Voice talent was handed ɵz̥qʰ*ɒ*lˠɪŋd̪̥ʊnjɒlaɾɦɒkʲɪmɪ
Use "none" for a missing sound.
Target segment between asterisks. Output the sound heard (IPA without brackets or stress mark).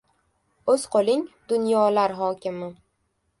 o